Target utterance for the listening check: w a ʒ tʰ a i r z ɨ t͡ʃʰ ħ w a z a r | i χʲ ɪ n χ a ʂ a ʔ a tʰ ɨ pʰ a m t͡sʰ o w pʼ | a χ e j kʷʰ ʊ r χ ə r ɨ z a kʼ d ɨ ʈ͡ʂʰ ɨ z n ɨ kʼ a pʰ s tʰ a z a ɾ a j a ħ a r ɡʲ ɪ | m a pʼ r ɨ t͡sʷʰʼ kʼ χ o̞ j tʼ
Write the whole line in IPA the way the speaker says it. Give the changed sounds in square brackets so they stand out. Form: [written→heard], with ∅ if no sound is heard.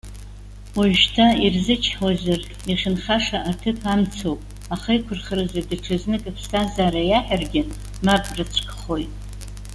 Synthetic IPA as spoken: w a ʒ tʰ a i r z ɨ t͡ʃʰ ħ w a z a r | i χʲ ɪ n χ a ʂ a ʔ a tʰ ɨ pʰ a m t͡sʰ o w pʼ | a χ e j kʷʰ ʊ r χ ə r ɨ z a [kʼ→∅] d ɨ ʈ͡ʂʰ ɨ z n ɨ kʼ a pʰ s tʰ a z a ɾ a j a ħ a r ɡʲ ɪ | m a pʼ r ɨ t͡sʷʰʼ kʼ χ o̞ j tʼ